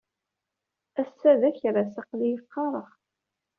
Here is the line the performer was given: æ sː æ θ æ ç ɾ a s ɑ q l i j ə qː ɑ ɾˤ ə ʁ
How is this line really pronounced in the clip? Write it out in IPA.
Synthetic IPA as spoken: æ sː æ ð æ ç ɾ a s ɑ q l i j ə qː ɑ ɾˤ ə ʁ